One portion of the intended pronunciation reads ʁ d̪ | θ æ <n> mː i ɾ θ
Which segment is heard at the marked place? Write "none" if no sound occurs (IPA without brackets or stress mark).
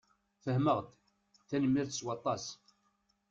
n